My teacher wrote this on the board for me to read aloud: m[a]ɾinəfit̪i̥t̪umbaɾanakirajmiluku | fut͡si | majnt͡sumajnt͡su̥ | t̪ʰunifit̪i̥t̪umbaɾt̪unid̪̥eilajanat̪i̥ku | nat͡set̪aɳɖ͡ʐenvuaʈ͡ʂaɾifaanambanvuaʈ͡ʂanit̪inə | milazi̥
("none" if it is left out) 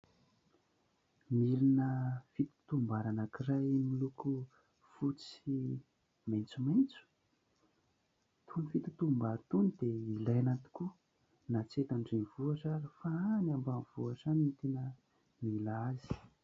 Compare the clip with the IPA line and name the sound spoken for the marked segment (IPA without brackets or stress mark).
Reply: i